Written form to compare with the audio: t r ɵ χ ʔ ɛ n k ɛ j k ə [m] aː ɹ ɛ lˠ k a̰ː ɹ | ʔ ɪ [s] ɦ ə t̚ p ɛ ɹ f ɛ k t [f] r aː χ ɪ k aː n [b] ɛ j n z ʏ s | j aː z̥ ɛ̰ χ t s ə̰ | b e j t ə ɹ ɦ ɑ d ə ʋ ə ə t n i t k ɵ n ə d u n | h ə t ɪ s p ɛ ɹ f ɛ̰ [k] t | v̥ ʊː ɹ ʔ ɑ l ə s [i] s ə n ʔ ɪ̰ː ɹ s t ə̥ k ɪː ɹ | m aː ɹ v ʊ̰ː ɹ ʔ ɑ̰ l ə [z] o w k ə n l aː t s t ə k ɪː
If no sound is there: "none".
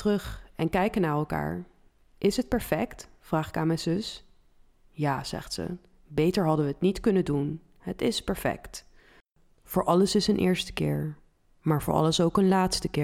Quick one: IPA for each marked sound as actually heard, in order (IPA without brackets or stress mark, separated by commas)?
n, s, f, m, k, ɪ, s